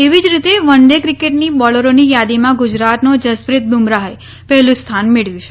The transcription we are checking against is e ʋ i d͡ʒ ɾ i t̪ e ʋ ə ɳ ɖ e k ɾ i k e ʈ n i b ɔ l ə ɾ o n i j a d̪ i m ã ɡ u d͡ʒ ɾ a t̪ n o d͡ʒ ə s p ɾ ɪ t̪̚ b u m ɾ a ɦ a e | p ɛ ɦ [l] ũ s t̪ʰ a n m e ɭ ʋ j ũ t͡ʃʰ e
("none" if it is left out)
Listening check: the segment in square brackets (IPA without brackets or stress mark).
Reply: l